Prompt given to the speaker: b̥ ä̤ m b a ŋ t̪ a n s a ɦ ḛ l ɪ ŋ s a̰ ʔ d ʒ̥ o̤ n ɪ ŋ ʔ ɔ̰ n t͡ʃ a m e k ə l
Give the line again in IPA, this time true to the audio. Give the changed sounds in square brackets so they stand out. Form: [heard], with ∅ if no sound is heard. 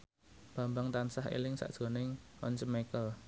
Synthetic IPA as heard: b̥ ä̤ m b a ŋ t̪ a n s a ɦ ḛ l ɪ ŋ s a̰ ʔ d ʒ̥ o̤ n ɪ ŋ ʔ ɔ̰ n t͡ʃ [ə] m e k ə l

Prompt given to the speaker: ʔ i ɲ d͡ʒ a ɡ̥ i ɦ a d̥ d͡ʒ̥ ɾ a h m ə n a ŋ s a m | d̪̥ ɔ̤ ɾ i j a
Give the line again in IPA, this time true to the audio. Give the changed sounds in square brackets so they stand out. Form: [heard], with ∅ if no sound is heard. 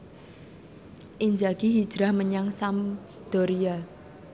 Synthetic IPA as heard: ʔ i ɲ d͡ʒ a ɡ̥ i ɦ [i] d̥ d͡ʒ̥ ɾ a h m ə [ɲ] a ŋ s a m | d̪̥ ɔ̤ ɾ i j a

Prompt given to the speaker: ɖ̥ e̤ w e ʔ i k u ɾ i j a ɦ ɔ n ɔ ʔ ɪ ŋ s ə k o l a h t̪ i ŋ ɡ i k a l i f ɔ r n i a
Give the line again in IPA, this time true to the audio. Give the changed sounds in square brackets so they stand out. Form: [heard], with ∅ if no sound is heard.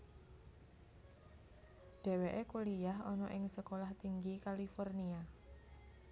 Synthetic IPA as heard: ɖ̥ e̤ w e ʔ [e] k u [l] i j a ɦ ɔ n ɔ ʔ ɪ ŋ s ə k o l a h t̪ i ŋ ɡ i k a l i f ɔ r n i a

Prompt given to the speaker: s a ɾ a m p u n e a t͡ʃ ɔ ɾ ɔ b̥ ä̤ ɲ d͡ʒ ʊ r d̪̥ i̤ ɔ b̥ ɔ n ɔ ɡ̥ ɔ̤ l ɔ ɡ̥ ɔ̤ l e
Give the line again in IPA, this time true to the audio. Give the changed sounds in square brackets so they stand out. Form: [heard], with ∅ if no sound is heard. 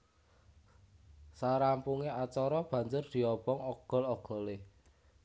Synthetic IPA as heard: s a ɾ a m p u [ŋ] e a t͡ʃ ɔ ɾ ɔ b̥ ä̤ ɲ d͡ʒ ʊ r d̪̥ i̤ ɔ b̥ ɔ [ŋ] ɔ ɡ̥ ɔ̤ l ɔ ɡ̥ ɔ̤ l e

